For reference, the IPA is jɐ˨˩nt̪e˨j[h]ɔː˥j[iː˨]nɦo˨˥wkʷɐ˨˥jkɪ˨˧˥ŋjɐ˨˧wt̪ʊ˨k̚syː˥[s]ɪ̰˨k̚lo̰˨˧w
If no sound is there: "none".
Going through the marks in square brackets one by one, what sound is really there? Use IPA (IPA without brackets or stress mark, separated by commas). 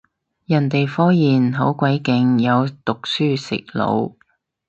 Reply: f, iː˨, s